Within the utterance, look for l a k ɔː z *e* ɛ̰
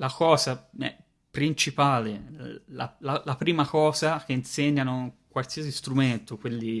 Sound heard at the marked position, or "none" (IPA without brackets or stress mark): a